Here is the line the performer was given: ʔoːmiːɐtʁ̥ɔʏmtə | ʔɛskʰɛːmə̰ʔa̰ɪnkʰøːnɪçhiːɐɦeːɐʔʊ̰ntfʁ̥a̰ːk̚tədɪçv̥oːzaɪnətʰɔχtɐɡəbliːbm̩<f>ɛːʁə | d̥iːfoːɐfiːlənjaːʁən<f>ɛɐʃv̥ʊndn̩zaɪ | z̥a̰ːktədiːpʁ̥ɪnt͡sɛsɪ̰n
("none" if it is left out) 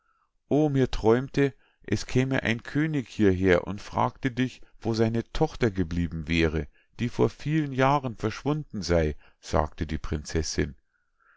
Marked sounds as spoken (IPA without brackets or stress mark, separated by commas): v, f